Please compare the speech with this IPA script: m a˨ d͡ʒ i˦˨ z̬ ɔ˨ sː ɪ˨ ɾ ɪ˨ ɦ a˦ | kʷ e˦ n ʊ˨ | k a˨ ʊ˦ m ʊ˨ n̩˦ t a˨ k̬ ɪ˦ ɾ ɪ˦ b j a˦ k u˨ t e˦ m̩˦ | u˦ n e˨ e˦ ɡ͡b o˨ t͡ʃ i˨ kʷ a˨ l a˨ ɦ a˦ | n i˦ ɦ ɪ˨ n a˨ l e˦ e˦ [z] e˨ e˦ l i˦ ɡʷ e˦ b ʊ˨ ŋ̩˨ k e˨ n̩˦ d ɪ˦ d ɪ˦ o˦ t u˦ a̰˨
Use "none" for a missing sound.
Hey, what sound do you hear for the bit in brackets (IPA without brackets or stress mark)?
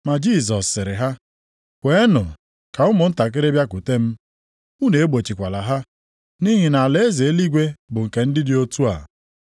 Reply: z